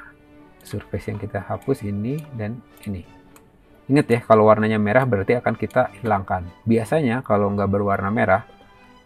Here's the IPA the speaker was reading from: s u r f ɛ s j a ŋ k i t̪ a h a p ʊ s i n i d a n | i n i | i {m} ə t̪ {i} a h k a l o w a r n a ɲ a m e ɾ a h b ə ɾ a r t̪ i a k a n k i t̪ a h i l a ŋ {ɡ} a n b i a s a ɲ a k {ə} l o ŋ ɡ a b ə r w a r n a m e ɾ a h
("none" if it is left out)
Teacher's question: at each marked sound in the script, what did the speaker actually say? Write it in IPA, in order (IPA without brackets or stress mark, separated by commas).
ŋ, j, k, a